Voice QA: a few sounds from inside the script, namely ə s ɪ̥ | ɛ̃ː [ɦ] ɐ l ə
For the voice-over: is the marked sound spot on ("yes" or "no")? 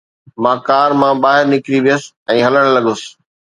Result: yes